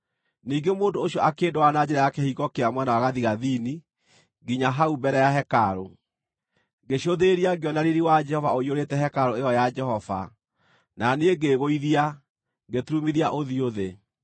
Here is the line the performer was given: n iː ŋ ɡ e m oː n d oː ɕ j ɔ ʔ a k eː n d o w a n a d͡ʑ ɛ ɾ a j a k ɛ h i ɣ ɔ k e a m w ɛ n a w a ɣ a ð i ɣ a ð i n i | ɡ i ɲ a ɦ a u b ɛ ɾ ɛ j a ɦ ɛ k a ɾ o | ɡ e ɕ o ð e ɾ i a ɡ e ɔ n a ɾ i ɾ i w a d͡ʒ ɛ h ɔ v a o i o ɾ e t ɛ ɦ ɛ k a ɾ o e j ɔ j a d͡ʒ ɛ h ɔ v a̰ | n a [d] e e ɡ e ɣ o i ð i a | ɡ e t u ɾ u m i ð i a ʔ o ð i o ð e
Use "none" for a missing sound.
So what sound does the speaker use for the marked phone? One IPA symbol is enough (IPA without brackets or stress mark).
n